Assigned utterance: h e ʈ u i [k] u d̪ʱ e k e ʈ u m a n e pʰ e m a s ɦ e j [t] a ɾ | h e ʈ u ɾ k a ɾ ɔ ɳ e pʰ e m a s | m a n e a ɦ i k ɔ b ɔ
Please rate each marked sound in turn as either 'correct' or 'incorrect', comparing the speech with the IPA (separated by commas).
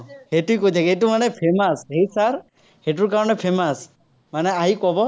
correct, incorrect